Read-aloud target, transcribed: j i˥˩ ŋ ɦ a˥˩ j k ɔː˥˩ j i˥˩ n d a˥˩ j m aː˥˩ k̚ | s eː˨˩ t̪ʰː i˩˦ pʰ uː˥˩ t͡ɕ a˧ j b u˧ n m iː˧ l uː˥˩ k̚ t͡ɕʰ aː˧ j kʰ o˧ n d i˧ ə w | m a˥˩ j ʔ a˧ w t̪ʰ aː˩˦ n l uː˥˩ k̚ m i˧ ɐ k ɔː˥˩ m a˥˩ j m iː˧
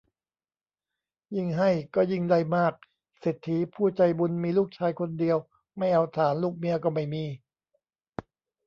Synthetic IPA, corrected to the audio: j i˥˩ ŋ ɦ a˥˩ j k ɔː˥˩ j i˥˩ ŋ d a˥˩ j m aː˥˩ k̚ | s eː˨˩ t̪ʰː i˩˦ pʰ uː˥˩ t͡ɕ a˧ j b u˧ n m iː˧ l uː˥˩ k̚ t͡ɕʰ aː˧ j kʰ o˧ n d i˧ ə w | m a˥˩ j ʔ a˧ w t̪ʰ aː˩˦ n l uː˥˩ k̚ m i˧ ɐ k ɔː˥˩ m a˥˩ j m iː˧